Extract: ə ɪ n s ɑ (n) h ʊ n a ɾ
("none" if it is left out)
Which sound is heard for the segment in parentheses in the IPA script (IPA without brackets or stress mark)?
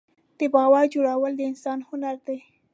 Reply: n